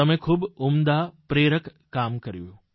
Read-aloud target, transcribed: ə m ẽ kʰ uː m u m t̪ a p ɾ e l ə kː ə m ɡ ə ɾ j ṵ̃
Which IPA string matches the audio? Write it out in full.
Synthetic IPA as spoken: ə m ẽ kʰ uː b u m d̪ a p ɾ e ɾ ə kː a m k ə ɾ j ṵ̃